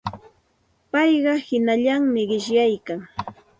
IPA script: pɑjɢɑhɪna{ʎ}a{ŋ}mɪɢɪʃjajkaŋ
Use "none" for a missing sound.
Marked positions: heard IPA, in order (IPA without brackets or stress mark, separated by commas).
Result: ʎ, ŋ